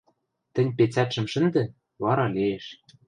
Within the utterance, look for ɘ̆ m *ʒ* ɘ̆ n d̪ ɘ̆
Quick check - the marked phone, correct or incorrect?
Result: incorrect